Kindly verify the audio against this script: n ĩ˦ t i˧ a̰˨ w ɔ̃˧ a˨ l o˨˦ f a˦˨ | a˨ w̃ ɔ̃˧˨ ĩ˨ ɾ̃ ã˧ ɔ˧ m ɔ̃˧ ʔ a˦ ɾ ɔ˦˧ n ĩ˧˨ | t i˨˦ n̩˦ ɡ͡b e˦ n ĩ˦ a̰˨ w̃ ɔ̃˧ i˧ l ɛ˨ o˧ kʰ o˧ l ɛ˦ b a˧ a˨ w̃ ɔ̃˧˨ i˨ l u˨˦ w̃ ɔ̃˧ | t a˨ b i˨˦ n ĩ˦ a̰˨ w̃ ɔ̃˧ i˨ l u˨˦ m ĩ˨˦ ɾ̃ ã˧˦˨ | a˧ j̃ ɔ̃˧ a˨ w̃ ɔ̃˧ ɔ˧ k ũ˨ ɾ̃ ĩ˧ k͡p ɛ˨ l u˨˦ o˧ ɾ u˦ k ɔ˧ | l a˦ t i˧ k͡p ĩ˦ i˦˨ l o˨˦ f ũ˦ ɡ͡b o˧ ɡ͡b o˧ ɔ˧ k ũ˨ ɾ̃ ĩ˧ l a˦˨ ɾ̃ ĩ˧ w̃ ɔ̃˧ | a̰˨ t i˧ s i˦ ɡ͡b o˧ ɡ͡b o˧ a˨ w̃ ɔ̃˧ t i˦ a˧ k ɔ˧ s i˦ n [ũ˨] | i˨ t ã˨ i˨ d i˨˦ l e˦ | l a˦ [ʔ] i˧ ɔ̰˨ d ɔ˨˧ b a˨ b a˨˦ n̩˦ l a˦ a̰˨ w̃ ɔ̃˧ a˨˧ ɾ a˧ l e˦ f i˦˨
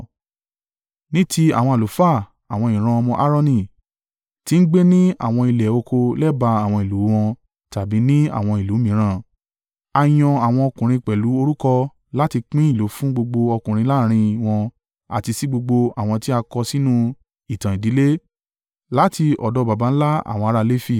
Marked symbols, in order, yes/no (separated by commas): no, no